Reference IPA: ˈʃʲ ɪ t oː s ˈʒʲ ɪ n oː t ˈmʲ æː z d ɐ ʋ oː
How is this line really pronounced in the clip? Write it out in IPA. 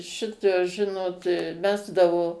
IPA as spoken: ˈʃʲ ɪ t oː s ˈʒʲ ɪ n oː t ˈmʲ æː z d ɐ ʋ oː

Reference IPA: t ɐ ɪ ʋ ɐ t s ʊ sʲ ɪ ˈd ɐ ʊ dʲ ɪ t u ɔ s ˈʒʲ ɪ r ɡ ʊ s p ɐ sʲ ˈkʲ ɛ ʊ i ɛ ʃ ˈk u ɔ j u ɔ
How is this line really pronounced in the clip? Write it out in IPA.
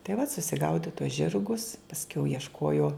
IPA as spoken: t ɐ ɪ ʋ ɐ t s ʊ sʲ ɪ ˈɡ ɐ ʊ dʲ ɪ t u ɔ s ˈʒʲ ɪ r ɡ ʊ s p ɐ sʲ ˈkʲ ɛ ʊ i ɛ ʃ ˈk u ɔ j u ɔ

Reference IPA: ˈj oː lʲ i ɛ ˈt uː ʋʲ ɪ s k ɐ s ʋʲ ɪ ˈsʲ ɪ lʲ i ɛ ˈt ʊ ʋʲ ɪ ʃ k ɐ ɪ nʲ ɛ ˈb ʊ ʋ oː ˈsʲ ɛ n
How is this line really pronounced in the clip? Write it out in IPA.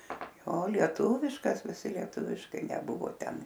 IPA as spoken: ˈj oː lʲ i ɛ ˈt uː ʋʲ ɪ ʃ k ɐ s ʋʲ ɪ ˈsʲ ɪ lʲ i ɛ ˈt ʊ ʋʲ ɪ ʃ k ɐ ɪ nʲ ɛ ˈb ʊ ʋ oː ˈtʲ ɛ n

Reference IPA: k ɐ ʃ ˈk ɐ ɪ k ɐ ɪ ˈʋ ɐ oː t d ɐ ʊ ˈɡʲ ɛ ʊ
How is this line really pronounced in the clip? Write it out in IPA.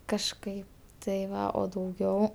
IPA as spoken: k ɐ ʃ ˈk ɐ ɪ t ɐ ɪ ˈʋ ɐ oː d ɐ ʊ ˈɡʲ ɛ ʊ

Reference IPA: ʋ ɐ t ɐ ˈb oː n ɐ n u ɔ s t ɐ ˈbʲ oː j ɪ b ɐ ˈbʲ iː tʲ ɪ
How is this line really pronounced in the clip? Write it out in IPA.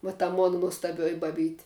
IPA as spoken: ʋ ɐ t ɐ ˈm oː n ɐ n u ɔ s t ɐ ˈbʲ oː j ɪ b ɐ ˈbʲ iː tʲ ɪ

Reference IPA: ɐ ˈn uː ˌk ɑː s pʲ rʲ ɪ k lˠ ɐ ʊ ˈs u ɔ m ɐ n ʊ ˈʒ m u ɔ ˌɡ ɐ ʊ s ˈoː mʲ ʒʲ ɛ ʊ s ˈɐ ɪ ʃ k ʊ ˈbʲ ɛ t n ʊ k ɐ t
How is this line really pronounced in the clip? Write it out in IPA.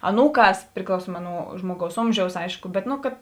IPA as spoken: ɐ ˈn uː ˌk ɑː s pʲ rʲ ɪ k lˠ ɐ ʊ ˈs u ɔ m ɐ n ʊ ˈʒ m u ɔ ˌɡ ɐ ʊ s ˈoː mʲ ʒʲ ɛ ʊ s ˈɐ ɪ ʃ k ʊ ˈbʲ ɛ t n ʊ k ɐ t

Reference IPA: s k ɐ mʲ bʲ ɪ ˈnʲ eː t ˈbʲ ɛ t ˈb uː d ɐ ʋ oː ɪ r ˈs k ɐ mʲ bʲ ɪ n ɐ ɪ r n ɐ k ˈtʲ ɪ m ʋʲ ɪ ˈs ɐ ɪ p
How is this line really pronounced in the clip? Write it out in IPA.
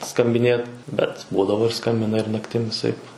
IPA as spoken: s k ɐ mʲ bʲ ɪ ˈnʲ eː t ˈbʲ ɛ t ˈb uː d ɐ ʋ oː ɪ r ˈs k ɐ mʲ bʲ ɪ n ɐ ɪ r n ɐ k ˈtʲ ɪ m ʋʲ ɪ ˈs ɐ ɪ p

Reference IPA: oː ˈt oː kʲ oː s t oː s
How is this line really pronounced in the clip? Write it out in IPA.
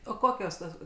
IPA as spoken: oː ˈk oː kʲ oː s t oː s

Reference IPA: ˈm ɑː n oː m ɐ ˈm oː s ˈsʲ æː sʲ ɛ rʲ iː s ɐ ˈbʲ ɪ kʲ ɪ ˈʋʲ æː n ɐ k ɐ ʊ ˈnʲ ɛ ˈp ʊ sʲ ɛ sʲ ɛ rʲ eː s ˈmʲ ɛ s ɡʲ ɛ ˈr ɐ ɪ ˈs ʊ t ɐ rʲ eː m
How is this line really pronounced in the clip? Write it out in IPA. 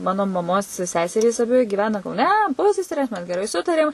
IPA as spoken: ˈm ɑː n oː m ɐ ˈm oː s ˈsʲ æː sʲ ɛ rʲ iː s ɐ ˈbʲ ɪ ɡʲ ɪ ˈʋʲ æː n ɐ k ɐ ʊ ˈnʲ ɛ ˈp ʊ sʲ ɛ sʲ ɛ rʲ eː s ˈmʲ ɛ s ɡʲ ɛ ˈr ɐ ɪ ˈs ʊ t ɐ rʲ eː m

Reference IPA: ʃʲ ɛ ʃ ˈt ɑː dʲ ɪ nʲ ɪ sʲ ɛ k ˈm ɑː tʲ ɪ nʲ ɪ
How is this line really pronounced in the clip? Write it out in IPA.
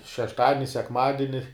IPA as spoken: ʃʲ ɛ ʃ ˈt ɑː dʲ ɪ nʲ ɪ sʲ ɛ k ˈm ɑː dʲ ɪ nʲ ɪ

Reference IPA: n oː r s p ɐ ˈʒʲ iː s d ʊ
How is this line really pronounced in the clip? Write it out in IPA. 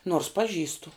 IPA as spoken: n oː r s p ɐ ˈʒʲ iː s t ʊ

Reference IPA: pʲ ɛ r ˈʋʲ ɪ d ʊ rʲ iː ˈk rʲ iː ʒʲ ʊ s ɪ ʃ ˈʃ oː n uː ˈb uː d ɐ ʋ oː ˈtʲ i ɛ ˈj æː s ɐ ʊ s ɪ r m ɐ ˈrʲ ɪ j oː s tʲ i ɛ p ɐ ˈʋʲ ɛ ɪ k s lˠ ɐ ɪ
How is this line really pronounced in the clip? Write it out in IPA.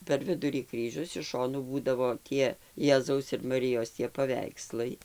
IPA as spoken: pʲ ɛ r ˈʋʲ ɪ d ʊ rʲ iː ˈk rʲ iː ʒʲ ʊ s ɪ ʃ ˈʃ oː n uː ˈb uː d ɐ ʋ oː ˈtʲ i ɛ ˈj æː z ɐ ʊ s ɪ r m ɐ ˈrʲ ɪ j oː s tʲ i ɛ p ɐ ˈʋʲ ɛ ɪ k s lˠ ɐ ɪ

